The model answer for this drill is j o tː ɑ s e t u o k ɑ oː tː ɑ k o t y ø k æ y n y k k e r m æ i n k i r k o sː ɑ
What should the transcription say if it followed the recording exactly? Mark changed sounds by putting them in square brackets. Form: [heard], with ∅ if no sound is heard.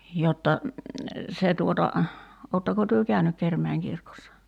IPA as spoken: j o tː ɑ s e t u o [t] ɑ oː tː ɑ k o t y ø k æ y n y k k e r m æ i [ŋ] k i r k o sː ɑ